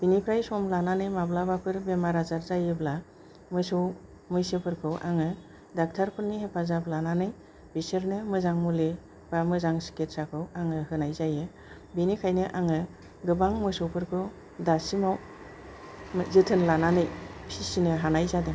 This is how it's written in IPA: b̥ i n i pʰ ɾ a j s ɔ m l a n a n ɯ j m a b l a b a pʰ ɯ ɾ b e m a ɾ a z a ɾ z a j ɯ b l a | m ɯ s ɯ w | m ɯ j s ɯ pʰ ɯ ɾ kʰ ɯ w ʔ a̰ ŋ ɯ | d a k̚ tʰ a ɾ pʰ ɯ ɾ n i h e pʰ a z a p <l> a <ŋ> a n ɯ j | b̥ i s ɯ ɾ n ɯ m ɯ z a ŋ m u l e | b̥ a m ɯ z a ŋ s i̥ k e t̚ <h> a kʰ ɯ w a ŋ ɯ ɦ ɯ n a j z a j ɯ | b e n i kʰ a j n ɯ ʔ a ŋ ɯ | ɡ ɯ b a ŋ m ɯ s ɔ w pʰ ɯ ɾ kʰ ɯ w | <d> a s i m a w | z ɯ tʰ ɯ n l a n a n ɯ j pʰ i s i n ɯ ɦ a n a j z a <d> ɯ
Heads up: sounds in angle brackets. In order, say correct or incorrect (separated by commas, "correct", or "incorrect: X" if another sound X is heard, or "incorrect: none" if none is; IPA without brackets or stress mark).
correct, incorrect: n, incorrect: s, correct, correct